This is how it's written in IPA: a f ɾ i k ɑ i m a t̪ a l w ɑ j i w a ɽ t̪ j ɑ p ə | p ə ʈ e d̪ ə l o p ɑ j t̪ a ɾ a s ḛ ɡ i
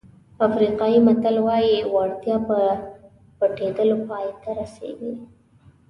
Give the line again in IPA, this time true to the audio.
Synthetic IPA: a f ɾ i q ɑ i m a t̪ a l w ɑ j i w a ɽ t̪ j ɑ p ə | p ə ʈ e d̪ ə l o p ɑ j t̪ a ɾ a s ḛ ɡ i